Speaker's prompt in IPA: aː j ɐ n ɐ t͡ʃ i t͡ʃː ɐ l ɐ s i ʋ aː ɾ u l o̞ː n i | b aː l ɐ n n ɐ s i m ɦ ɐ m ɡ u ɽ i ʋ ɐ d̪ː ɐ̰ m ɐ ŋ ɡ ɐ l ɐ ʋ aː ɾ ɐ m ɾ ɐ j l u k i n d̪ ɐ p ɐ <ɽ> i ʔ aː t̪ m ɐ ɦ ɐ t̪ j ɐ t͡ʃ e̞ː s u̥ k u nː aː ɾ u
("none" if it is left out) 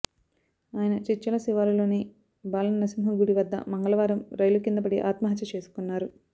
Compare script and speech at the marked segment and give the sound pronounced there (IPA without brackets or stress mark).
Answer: ɽ